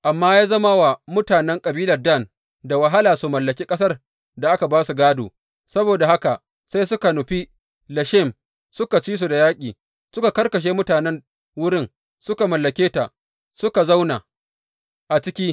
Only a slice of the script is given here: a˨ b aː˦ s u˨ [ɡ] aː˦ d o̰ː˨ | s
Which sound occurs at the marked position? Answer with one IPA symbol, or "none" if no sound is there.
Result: ɡ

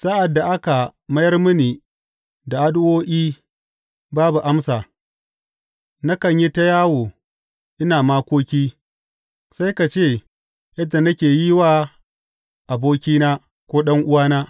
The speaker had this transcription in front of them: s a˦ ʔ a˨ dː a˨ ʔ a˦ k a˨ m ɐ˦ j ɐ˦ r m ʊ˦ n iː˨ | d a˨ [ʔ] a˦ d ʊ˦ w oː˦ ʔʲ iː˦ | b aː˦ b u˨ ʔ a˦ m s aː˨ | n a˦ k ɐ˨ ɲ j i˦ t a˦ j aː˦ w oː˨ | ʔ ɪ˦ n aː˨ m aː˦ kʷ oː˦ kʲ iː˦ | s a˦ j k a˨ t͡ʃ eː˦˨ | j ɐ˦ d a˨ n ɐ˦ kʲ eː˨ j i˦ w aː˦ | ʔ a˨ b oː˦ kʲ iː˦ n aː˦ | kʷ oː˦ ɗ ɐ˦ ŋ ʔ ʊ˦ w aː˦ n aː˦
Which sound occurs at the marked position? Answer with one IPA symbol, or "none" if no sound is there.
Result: ʔ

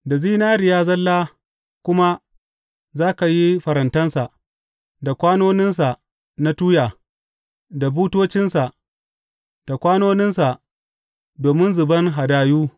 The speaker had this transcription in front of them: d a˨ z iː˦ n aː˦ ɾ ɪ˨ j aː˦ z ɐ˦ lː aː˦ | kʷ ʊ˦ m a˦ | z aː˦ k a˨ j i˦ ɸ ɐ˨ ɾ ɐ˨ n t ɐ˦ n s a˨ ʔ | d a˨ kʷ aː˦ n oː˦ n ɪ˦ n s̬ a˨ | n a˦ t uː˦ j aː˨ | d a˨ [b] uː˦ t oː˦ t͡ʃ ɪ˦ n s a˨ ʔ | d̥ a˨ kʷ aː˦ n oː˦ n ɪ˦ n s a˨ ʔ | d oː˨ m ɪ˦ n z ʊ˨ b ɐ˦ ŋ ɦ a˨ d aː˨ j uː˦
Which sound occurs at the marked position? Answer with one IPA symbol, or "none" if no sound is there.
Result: b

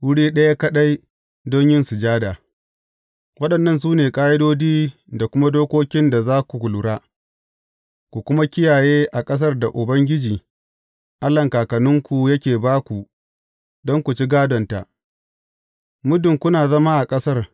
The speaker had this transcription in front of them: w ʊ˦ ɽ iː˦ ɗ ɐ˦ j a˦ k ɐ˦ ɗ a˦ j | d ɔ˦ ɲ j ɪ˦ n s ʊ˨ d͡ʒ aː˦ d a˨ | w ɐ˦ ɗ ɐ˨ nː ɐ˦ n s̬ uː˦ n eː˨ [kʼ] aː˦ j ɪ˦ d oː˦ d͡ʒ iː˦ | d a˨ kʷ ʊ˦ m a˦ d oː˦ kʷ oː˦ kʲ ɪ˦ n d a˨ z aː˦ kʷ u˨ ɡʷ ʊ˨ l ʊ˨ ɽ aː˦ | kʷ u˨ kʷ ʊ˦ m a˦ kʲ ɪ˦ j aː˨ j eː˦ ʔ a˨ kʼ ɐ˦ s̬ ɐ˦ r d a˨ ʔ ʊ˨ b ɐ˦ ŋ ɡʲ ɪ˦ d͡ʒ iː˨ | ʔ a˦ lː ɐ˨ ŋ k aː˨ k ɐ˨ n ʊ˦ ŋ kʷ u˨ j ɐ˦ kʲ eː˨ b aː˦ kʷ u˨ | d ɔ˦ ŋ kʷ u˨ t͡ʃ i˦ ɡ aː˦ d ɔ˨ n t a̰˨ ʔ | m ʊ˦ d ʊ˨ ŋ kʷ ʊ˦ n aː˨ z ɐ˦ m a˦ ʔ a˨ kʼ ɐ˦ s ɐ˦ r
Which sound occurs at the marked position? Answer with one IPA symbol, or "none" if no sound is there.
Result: kʼ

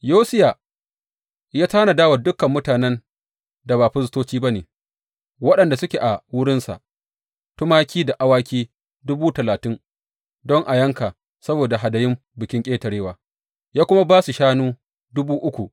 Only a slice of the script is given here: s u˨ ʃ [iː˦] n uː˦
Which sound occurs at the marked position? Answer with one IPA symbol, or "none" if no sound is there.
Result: aː˦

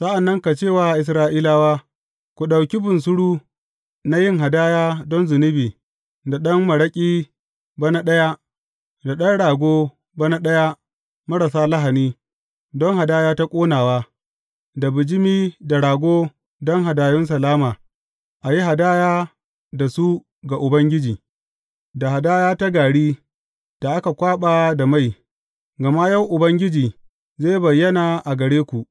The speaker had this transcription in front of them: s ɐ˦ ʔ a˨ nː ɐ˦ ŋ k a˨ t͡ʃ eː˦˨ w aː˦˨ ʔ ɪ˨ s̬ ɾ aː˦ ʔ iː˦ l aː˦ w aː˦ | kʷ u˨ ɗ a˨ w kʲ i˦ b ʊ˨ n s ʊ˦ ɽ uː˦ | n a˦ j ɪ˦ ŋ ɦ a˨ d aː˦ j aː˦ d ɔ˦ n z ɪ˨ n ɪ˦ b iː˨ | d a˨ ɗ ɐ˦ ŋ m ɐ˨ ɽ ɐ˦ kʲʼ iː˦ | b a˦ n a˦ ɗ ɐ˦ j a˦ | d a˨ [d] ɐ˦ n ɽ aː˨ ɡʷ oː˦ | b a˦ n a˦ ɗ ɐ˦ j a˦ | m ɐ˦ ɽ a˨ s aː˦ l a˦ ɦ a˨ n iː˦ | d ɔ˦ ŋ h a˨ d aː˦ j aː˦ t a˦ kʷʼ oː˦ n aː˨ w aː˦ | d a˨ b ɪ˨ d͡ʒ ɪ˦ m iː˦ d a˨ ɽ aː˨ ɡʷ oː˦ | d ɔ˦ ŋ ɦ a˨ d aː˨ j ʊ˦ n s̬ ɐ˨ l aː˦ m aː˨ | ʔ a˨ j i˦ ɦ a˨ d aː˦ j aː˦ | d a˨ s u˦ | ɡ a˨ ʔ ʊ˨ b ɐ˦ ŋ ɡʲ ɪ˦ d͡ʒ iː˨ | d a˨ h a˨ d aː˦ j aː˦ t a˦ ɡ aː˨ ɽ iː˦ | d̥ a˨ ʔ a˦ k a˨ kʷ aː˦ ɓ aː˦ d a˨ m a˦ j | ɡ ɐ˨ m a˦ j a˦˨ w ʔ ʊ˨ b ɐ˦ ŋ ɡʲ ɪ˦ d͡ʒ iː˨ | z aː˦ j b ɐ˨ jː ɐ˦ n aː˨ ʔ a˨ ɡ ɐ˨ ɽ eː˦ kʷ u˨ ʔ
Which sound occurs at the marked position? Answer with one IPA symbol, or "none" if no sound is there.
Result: ɗ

